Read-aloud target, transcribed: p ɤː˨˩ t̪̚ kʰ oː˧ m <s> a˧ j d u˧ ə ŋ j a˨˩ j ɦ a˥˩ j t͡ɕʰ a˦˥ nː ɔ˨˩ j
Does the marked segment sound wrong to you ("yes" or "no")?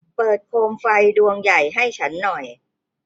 yes